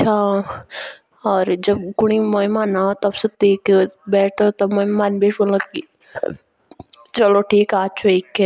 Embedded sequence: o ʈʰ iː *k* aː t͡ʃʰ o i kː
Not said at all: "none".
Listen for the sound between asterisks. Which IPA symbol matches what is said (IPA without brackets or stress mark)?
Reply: k